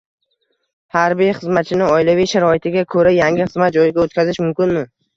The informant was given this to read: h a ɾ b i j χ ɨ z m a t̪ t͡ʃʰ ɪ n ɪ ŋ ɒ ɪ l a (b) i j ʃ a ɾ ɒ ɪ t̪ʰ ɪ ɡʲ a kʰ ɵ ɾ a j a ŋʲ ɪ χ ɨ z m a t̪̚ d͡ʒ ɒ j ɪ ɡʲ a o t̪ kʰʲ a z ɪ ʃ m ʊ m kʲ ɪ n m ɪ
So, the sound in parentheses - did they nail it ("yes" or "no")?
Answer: no